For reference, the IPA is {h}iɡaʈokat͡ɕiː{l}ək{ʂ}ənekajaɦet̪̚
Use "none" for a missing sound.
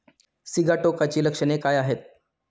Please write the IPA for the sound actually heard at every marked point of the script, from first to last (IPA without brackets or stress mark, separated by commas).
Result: s, l, ʂ